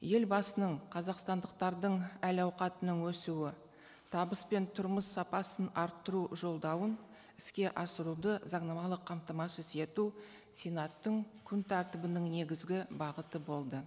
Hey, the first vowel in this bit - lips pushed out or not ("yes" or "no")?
no